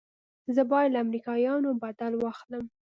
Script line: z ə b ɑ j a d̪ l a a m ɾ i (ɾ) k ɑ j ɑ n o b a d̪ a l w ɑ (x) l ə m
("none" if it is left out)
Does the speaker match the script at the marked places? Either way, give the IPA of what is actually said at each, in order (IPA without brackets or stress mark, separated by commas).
none, x